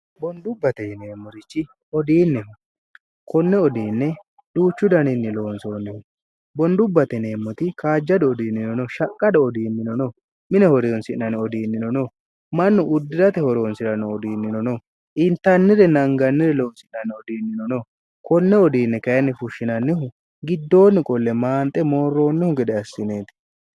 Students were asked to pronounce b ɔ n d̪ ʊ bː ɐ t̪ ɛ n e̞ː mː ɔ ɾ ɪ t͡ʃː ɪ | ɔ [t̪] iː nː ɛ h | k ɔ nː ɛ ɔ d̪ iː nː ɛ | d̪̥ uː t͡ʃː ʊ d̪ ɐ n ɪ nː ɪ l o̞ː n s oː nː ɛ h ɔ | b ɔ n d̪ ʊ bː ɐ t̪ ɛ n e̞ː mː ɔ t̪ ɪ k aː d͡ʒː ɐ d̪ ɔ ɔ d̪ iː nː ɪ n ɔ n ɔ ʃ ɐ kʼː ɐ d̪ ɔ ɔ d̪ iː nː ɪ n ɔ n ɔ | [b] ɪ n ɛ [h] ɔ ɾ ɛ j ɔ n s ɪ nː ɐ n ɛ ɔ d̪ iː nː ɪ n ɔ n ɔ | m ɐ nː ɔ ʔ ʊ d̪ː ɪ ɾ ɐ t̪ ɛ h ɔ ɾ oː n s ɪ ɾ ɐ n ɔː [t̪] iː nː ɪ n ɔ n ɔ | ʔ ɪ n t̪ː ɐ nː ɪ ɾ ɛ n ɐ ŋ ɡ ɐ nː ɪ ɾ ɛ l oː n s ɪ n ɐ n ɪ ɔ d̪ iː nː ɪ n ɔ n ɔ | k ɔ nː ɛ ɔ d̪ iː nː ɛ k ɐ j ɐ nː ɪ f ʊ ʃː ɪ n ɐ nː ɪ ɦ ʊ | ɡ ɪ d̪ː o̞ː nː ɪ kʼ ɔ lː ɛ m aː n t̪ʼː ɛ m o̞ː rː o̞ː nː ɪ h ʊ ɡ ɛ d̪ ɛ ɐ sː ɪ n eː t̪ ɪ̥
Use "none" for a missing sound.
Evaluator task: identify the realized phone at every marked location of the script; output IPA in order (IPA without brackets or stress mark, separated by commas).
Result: d̪, m, h, d̪